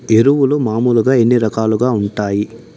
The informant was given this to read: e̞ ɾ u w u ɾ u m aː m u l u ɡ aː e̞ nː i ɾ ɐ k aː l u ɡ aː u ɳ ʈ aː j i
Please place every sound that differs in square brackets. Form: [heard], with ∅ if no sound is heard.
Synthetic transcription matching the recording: e̞ ɾ u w u [l] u m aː m u l u ɡ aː e̞ nː i ɾ ɐ k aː l u ɡ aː u ɳ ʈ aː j i